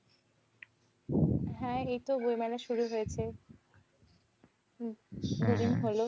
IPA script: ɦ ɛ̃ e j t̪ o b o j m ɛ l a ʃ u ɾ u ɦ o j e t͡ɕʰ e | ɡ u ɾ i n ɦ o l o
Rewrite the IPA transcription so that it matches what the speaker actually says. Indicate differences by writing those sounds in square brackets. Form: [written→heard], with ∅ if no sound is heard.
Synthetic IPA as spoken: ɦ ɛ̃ e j t̪ o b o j m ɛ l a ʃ u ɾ u ɦ o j e t͡ɕʰ e | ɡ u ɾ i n ɦ o l o